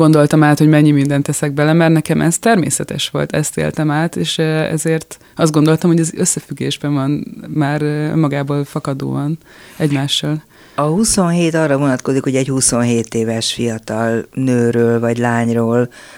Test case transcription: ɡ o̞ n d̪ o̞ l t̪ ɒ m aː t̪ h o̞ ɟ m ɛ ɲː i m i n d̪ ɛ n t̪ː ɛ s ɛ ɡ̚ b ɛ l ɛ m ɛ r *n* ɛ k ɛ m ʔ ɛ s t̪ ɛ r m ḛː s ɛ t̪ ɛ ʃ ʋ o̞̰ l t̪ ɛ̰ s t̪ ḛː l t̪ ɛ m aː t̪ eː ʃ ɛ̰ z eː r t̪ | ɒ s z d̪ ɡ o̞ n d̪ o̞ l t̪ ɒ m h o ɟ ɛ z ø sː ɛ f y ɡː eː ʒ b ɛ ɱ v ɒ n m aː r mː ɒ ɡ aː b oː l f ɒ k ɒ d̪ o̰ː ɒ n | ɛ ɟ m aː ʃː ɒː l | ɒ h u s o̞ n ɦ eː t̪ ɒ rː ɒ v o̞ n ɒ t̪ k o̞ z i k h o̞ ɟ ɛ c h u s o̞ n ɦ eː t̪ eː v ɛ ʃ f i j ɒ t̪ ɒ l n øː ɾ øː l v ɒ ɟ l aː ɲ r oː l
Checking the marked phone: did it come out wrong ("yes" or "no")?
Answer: no